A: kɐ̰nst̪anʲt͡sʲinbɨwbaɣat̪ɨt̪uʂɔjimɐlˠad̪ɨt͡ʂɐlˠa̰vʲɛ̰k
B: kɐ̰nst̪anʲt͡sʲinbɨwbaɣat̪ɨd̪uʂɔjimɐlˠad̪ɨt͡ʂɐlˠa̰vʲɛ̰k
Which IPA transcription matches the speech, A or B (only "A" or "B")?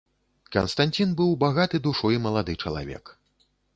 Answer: B